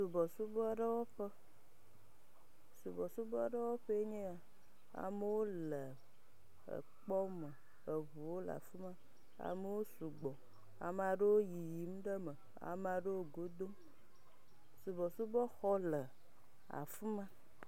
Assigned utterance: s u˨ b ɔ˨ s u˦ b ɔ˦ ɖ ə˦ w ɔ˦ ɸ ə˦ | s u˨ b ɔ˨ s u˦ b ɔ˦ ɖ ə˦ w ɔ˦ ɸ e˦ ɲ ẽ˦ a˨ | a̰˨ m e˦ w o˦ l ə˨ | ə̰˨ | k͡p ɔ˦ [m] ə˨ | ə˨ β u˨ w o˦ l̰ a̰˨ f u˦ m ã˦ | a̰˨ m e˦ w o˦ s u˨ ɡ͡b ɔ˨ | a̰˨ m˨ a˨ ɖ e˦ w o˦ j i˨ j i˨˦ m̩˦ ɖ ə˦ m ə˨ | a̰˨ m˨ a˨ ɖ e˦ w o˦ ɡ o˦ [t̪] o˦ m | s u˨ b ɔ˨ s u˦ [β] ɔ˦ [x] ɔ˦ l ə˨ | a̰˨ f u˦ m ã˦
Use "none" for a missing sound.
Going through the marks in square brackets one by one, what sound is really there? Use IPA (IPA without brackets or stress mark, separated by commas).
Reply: m, d̪, b, x